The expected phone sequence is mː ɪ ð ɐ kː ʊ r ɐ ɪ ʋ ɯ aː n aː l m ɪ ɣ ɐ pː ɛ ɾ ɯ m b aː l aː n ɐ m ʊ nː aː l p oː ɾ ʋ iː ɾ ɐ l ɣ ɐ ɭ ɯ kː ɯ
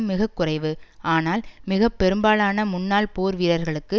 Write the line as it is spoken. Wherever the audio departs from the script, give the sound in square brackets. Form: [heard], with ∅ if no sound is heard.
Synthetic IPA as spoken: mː ɪ [ɣ] ɐ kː ʊ r ɐ ɪ ʋ ɯ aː n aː l m ɪ ɣ ɐ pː ɛ ɾ ɯ m b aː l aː n ɐ m ʊ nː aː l p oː ɾ ʋ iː ɾ ɐ [ɾ] ɣ ɐ ɭ ɯ kː ɯ

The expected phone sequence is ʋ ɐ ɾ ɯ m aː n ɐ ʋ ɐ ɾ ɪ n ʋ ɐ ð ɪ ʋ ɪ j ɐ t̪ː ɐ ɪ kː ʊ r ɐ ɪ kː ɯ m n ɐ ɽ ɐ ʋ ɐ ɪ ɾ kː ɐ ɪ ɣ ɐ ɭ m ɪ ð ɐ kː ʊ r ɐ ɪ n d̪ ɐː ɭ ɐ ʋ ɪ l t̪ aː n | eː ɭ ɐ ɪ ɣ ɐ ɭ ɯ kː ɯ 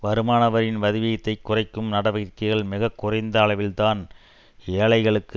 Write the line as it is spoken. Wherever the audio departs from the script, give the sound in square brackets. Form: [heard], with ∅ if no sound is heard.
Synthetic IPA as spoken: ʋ ɐ ɾ ɯ m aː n ɐ ʋ ɐ ɾ ɪ n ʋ ɐ ð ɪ ʋ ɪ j ɐ t̪ː ɐ ɪ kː ʊ r ɐ ɪ kː ɯ m n ɐ ɽ ɐ ʋ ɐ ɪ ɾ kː ɐ ɪ ɣ ɐ ɭ m ɪ [ɣ] ɐ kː ʊ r ɐ ɪ n d̪ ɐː ɭ ɐ ʋ ɪ l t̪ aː n | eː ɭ ɐ ɪ ɣ ɐ ɭ ɯ kː ɯ

